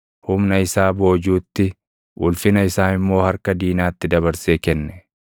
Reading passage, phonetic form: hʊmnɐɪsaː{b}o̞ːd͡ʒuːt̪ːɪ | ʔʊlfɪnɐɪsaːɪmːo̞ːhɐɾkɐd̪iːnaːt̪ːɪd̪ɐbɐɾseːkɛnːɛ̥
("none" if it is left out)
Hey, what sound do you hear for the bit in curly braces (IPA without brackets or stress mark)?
b